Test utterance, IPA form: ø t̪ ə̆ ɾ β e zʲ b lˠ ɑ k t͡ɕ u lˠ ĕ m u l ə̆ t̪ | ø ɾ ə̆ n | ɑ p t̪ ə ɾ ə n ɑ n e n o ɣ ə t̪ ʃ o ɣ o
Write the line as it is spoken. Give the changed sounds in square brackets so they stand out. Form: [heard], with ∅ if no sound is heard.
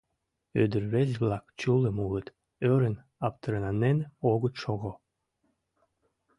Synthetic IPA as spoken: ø [d̪] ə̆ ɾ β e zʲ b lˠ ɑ k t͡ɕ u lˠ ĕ m u l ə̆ t̪ | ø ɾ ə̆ n | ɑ p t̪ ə ɾ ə n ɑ n e n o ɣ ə t̪ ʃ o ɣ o